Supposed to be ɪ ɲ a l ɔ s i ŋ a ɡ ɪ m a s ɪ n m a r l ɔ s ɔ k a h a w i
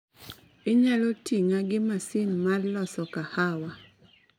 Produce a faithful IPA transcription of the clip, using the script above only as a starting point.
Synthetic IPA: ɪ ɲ a l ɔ t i ŋ a ɡ ɪ m a s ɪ n m a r l ɔ s ɔ k a h a w a